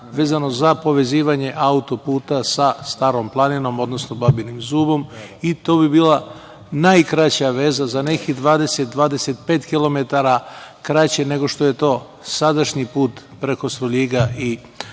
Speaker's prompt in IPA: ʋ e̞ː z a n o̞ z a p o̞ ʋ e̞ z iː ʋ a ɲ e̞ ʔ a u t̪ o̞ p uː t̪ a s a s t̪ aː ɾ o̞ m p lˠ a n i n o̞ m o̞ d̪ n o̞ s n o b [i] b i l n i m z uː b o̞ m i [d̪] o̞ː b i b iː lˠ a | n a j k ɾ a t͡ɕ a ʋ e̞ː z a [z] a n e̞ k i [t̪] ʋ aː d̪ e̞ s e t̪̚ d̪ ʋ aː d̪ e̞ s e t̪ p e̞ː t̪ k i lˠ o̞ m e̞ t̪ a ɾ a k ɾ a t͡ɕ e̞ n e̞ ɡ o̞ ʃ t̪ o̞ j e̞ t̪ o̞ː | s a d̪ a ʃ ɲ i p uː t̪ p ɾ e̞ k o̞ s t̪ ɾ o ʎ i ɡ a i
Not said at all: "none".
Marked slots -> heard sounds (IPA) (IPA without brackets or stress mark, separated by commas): a, t̪, z, d̪